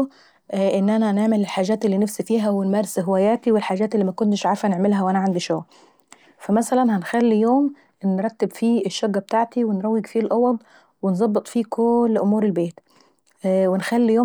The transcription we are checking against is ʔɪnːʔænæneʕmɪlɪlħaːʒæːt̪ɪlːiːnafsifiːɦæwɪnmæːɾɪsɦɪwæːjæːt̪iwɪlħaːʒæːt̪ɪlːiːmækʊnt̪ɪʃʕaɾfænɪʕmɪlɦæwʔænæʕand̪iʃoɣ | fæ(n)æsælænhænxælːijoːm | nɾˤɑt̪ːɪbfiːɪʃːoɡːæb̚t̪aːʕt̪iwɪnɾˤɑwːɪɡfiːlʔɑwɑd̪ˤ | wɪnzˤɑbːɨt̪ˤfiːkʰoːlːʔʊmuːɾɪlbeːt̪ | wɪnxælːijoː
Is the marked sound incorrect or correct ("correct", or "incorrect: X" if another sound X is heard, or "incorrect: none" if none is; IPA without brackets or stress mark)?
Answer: incorrect: m